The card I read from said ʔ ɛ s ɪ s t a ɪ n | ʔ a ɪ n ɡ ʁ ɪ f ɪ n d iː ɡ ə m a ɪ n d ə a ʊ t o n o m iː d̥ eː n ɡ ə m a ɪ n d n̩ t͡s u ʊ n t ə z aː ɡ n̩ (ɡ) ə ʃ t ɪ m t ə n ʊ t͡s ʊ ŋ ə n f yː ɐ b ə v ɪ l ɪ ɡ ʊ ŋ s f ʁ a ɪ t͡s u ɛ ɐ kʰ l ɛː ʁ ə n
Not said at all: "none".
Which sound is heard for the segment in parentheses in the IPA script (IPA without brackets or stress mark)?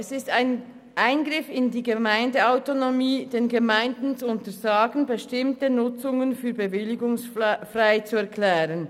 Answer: b